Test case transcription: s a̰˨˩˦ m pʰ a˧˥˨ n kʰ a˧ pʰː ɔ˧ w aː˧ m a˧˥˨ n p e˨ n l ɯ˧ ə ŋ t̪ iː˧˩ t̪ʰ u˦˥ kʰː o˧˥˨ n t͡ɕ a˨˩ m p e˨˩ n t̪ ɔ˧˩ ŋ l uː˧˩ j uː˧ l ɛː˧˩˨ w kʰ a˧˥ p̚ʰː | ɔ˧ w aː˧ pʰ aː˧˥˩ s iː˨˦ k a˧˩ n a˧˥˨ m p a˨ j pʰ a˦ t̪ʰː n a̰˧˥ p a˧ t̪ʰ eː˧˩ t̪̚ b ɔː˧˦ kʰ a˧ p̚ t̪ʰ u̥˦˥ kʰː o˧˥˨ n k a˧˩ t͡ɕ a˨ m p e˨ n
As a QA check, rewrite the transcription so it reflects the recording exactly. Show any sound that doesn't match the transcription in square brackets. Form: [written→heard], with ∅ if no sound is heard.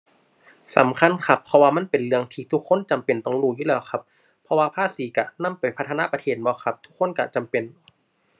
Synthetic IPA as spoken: s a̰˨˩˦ m [pʰ→kʰ] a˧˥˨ n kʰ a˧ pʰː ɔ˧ w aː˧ m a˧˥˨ n p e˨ n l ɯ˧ ə ŋ [t̪→t̪ʰ] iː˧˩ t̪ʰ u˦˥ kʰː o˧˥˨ n t͡ɕ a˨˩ m p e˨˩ n t̪ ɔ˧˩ ŋ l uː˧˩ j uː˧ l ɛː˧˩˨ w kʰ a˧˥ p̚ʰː | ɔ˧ w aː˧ pʰ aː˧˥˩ s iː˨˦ k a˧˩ n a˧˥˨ m p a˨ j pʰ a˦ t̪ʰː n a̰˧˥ p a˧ t̪ʰ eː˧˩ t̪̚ b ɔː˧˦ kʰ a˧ p̚ t̪ʰ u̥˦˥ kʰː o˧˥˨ n k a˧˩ t͡ɕ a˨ m p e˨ n